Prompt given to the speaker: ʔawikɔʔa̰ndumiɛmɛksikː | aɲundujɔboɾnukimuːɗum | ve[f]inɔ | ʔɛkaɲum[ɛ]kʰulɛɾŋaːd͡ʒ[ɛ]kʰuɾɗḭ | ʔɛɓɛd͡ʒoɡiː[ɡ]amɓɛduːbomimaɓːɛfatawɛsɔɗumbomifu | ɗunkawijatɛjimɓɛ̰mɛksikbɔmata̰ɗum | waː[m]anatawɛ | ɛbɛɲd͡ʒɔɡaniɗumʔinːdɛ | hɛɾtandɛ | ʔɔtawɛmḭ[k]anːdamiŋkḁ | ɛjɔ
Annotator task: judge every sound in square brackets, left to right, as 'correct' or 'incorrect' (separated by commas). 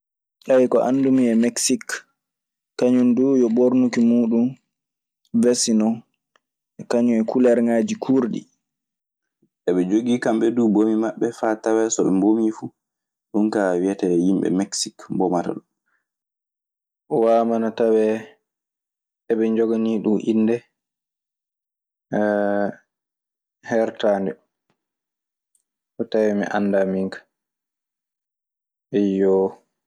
incorrect, correct, incorrect, incorrect, correct, incorrect